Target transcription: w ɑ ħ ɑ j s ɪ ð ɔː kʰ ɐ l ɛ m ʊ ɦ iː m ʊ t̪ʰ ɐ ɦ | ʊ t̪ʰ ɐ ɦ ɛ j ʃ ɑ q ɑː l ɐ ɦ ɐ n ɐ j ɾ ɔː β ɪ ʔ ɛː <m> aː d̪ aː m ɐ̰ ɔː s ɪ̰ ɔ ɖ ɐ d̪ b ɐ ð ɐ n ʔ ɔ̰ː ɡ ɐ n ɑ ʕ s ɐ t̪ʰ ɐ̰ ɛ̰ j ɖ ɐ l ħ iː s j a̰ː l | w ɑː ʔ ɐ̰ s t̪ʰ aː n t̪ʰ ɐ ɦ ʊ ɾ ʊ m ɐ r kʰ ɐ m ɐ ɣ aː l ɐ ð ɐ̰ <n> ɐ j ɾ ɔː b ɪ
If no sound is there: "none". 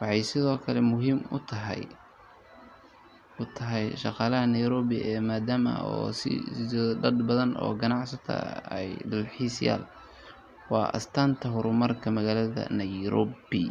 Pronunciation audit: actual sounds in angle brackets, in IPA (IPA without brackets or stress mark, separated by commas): m, n